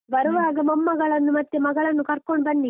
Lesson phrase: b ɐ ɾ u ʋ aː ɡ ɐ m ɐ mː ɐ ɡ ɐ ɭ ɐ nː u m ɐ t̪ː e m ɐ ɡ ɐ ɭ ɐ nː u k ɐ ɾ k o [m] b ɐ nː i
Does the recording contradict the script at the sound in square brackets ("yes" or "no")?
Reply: yes